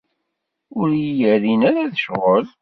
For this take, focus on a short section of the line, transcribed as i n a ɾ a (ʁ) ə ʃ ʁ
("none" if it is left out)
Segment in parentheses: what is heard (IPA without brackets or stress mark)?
ð